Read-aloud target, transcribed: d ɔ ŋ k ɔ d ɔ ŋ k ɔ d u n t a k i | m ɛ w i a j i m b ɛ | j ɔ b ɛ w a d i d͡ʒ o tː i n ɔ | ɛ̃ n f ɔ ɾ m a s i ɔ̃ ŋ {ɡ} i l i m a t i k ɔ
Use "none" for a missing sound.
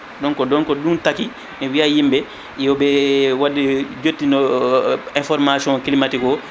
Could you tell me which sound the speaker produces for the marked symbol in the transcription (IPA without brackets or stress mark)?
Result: k